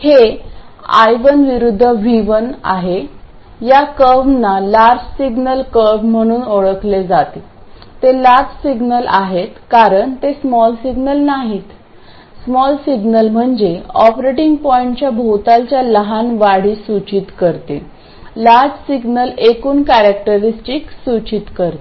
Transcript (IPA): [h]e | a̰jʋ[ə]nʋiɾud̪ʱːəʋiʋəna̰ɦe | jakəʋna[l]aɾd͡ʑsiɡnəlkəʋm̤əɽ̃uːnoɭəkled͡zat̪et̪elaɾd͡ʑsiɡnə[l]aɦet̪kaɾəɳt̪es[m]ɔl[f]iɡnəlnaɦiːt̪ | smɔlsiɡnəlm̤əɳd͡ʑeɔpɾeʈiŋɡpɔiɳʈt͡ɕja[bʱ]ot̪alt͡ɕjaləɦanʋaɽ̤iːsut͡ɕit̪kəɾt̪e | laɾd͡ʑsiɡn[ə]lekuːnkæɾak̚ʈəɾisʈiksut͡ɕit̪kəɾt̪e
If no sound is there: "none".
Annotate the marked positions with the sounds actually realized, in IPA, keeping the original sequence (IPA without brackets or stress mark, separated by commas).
h, ə, l, l, m, s, bʱ, ə